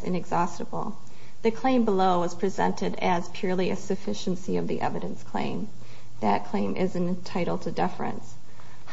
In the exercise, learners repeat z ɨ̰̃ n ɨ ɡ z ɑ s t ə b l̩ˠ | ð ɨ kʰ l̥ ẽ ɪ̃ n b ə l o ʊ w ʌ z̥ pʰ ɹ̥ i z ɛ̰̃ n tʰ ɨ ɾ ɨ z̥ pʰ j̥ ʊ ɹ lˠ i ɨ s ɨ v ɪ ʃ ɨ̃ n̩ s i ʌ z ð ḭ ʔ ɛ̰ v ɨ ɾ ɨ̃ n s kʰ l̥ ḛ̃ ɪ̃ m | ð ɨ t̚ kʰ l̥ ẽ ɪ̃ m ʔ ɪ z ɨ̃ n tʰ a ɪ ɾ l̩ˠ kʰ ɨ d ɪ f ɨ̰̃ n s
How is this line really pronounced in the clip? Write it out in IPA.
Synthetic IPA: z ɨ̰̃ n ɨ ɡ z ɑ s t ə b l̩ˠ | ð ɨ kʰ l̥ ẽ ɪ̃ m b ə l o ʊ w ʌ z̥ pʰ ɹ̥ i z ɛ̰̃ n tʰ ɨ ɾ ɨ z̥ pʰ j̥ ʊ ɹ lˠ i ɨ s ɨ f ɪ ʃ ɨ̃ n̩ s i ʌ v ð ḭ ʔ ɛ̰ v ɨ ɾ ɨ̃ n s kʰ l̥ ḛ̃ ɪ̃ m | ð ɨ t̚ kʰ l̥ ẽ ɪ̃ m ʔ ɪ z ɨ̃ n tʰ a ɪ ɾ l̩ˠ tʰ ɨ d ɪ f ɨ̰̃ n s